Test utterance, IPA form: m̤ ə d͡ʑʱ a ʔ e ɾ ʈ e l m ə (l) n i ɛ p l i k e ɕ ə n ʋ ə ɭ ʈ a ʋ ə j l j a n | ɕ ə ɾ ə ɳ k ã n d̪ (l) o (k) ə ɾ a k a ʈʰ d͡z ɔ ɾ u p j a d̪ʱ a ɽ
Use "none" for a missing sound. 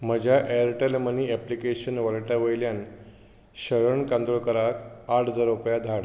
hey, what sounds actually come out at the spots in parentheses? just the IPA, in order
none, ɾ, k

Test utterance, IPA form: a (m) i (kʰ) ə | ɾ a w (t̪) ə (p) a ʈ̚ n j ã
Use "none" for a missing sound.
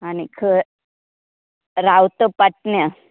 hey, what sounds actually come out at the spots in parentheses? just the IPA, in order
n, kʰ, t̪, p

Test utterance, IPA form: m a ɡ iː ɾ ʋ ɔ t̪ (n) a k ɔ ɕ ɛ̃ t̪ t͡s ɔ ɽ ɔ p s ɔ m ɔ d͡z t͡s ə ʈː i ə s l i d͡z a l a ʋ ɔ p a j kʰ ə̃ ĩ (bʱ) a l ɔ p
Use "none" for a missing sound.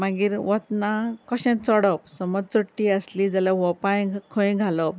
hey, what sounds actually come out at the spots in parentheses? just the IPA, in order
n, ɡʱ

